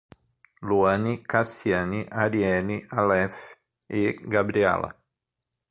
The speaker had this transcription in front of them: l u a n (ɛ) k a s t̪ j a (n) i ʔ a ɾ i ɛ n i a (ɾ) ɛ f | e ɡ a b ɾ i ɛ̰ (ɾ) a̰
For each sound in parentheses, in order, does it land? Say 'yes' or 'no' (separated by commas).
no, yes, no, no